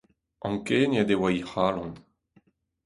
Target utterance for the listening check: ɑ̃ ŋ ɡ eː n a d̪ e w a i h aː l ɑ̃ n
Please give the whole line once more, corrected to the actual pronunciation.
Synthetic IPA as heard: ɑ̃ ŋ k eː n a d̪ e w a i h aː l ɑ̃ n